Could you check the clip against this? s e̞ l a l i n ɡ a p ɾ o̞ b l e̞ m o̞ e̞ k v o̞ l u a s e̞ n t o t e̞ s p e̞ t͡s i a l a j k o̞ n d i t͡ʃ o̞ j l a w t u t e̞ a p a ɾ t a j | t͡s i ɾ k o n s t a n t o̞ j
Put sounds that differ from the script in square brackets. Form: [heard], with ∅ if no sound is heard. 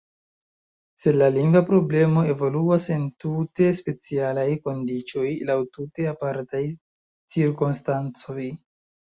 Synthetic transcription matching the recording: s e̞ l a l i [ŋ] ɡ a p ɾ o̞ b l e̞ m o̞ e̞ [∅] v o̞ l u a s e̞ n t [u] t e̞ s p e̞ t͡s i a l a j k o̞ n d i t͡ʃ o̞ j l a w t u t e̞ a p a ɾ t a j | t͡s i ɾ k o n s t a n [t͡s] o̞ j